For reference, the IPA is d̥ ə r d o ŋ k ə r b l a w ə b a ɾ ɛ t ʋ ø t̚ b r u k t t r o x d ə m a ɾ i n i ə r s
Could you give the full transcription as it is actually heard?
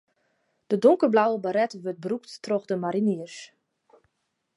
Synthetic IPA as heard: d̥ ə d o ŋ k ə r b l a w ə b a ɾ ɛ t ʋ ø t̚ b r u k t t r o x d ə m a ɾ i n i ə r s